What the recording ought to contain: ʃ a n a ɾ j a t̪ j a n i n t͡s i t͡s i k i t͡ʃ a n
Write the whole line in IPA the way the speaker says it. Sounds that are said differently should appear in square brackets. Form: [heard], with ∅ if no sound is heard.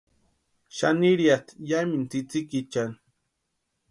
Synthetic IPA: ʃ a n [i] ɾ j a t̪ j a [m] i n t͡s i t͡s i k i t͡ʃ a n

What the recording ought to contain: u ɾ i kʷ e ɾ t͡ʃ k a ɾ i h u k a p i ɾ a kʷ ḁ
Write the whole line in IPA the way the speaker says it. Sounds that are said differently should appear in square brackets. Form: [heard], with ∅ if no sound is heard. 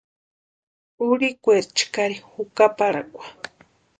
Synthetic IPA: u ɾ i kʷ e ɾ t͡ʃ k a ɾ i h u k a p [a] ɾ a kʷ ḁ

